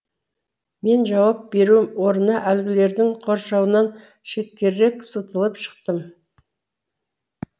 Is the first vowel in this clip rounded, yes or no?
no